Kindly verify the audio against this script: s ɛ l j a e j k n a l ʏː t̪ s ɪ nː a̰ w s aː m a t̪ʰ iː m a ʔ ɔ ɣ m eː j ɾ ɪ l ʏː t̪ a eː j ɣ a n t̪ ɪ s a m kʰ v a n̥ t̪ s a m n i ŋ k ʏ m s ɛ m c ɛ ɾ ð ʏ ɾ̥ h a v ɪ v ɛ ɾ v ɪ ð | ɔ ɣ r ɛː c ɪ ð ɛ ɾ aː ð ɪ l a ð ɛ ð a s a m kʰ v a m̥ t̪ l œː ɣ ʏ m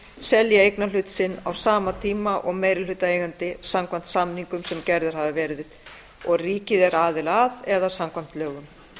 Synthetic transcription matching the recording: s ɛ l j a e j k n a l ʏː t̪ s ɪ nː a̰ w s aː m a t̪ʰ iː m a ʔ ɔ ɣ m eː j ɾ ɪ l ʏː t̪ a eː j ɣ a n t̪ ɪ s a m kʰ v a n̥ t̪ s a m n i ŋ k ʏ m s ɛ m c ɛ ɾ ð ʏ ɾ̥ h a v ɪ v ɛ ɾ ð ɪ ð | ɔ ɣ r iː c ɪ ð ɛ ɾ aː ð ɪ l a ð ɛ ð a s a m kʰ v a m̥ t̪ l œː ɣ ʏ m